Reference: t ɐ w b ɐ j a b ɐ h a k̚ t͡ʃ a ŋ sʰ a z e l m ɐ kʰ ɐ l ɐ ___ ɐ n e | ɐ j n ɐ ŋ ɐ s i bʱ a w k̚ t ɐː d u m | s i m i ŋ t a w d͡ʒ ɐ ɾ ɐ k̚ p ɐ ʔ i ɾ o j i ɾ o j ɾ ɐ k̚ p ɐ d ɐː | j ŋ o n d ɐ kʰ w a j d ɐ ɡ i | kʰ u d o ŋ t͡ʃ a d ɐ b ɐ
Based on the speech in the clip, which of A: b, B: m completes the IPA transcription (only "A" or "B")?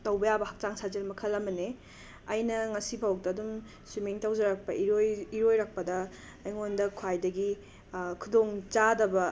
B